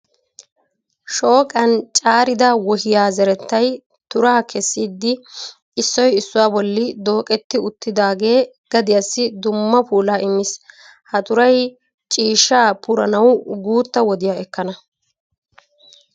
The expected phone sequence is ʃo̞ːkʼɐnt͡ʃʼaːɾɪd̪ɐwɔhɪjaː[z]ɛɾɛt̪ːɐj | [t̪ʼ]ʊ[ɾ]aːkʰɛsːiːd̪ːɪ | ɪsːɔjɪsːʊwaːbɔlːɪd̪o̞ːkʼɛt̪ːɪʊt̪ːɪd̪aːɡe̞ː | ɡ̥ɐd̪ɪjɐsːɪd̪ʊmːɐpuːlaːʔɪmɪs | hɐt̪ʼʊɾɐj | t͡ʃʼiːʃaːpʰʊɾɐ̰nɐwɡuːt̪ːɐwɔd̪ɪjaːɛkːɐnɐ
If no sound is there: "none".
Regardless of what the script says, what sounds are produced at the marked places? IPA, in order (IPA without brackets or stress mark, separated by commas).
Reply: z, t̪, ɾ